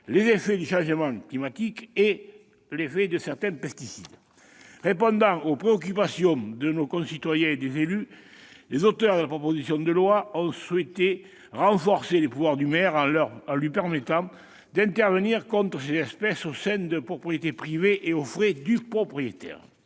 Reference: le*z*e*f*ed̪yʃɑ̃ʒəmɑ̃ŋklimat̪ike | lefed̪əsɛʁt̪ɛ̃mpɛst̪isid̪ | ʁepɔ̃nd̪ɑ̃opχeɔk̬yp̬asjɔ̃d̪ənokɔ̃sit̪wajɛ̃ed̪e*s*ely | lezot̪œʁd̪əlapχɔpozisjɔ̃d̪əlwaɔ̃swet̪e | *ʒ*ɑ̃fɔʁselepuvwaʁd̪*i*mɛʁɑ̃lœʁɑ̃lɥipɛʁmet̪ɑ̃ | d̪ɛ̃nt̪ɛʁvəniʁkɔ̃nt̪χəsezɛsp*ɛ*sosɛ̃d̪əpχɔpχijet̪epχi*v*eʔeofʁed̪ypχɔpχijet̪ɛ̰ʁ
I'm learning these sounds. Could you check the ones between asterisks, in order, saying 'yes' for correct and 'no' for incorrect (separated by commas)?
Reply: yes, yes, no, no, no, yes, yes